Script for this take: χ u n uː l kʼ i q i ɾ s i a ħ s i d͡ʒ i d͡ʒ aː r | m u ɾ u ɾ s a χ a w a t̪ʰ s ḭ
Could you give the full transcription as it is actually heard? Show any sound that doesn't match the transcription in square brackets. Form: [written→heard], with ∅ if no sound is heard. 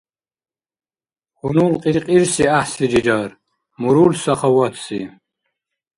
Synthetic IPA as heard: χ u n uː l [kʼ→qʼ] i [q→qʼ] i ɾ s i a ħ s i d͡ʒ i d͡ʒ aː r | m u ɾ u [ɾ→l] s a χ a w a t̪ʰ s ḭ

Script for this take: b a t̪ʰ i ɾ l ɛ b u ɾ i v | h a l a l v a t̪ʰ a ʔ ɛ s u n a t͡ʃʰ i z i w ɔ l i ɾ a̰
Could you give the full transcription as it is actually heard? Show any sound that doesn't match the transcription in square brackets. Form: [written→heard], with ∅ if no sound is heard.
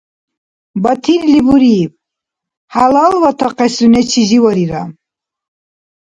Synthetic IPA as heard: b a t̪ʰ i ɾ l [ɛ→i] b u ɾ i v | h a l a l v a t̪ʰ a [ʔ→q] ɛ s u n [a→ɛ] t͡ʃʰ i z i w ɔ [l→ɾ] i ɾ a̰

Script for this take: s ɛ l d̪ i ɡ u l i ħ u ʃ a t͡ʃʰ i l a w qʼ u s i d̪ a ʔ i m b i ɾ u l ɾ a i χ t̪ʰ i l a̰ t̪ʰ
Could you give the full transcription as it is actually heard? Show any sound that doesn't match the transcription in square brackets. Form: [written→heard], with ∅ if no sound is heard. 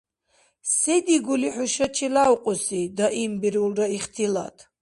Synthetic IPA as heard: s ɛ [l→∅] d̪ i ɡ u l i ħ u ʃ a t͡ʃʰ i l a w qʼ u s i d̪ a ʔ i m b i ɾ u l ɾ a i χ t̪ʰ i l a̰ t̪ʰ

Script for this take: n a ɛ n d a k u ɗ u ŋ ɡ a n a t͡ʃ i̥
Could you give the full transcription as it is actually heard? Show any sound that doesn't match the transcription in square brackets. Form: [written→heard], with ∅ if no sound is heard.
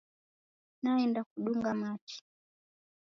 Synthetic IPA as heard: n a ɛ n d a k u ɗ u ŋ ɡ a [n→m] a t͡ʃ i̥

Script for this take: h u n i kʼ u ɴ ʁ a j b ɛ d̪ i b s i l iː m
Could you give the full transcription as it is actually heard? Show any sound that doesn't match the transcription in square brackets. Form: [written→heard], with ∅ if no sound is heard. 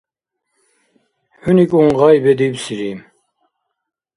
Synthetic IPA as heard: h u n i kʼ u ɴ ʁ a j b ɛ d̪ i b s i [l→ɾ] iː m

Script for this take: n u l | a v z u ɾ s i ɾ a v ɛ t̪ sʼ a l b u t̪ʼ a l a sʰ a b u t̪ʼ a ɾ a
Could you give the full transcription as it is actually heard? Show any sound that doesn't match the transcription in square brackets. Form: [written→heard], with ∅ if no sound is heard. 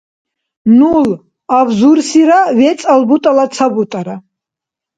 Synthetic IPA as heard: n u l | a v z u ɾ s i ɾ a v ɛ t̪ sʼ a l b u t̪ʼ a l a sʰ a b u t̪ʼ a ɾ a

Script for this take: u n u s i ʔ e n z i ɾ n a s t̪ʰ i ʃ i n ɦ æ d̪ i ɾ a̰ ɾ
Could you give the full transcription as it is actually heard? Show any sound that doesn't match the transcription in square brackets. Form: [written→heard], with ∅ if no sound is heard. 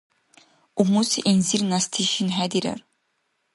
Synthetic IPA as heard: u [n→m] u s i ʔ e n z i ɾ n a s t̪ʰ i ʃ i n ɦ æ d̪ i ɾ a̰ ɾ

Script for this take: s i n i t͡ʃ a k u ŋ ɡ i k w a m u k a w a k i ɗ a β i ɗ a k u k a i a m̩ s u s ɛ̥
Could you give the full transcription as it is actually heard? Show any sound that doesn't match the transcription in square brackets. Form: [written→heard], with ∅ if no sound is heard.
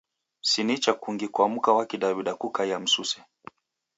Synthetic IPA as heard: s i n i t͡ʃ a k u ŋ ɡ i k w a m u k a w a k i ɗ a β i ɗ a k u k a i a m̩ s u s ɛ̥

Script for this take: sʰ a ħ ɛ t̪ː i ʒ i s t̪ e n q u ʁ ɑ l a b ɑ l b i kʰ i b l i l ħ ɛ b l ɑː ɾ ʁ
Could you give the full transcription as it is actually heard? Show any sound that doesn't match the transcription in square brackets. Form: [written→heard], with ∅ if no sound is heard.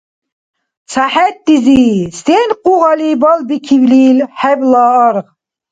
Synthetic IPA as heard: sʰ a ħ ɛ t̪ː i [ʒ→z] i s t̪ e n q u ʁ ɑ l [a→i] b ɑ l b i kʰ i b l i l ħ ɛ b l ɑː ɾ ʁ

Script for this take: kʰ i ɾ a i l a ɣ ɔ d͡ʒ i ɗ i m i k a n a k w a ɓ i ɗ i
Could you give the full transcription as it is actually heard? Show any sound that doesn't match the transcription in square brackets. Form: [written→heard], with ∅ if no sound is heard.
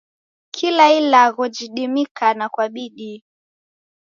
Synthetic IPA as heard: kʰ i [ɾ→l] a i l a ɣ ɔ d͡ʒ i ɗ i m i k a n a k w a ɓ i ɗ i

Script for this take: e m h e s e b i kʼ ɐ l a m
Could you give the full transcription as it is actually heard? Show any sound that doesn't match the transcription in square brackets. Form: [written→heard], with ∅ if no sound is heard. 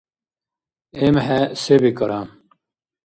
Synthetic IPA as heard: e m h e s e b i [kʼ→k] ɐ [l→ɾ] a m

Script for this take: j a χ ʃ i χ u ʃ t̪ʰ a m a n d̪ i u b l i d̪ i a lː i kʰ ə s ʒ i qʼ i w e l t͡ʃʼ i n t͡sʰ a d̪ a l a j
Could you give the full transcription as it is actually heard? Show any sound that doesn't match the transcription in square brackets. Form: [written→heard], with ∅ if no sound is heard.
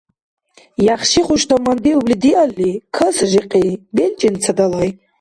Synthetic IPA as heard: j a χ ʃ i χ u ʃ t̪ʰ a m a n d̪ i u b l i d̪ i a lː i kʰ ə s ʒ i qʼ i [w→b] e l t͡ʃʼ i n t͡sʰ a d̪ a l a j

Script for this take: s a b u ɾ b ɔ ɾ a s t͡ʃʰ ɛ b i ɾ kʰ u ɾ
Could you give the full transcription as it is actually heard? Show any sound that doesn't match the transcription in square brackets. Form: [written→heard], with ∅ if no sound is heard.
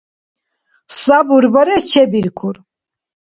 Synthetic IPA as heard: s a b u ɾ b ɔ ɾ [a→ɛ] s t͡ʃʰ ɛ b i ɾ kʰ u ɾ

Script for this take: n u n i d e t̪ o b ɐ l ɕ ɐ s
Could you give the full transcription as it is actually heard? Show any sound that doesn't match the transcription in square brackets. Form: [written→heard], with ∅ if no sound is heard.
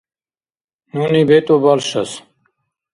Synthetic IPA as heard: n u n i [d→b] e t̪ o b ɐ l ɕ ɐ s

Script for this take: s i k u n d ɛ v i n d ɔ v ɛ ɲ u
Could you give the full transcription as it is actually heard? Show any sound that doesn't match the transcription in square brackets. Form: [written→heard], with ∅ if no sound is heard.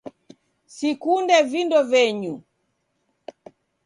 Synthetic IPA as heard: s i k u n d ɛ v i n d ɔ v ɛ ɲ u

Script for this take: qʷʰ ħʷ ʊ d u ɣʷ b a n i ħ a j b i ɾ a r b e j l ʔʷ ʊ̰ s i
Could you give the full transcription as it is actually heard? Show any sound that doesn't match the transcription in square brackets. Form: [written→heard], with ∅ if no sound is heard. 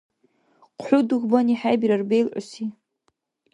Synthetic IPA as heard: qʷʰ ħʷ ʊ d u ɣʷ b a n i ħ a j b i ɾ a r b e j l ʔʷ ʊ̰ s i

